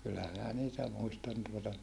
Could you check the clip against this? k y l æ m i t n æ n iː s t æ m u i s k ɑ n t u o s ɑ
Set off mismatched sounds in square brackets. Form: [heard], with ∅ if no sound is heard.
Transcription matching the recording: k y [lː] æ m i [∅] n æ n iː [∅] t æ m u i s [t] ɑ n t u o [t] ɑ